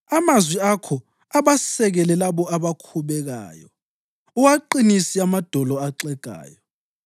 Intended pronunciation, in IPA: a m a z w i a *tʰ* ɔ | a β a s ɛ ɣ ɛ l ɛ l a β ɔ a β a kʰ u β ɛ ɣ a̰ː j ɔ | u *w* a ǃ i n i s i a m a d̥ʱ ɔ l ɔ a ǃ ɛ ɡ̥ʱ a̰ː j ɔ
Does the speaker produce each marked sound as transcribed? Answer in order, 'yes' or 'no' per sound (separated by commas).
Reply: no, yes